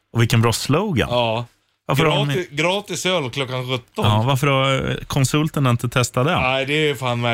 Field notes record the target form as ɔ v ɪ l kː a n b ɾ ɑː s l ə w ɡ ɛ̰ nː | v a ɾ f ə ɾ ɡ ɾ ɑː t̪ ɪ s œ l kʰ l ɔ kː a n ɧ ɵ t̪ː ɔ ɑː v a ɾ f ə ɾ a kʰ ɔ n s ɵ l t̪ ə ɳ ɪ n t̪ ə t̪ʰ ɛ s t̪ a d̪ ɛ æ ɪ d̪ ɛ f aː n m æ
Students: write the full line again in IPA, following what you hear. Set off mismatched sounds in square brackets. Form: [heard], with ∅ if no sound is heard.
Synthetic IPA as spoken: ɔ v ɪ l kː [ə] n b ɾ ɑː s l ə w ɡ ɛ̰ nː | v a ɾ f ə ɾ ɡ ɾ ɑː t̪ ɪ s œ l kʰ l ɔ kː a n ɧ ɵ t̪ː ɔ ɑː v a ɾ f ə ɾ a kʰ ɔ n s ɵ l t̪ ə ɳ ɪ n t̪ ə t̪ʰ ɛ s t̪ a d̪ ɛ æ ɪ d̪ ɛ f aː n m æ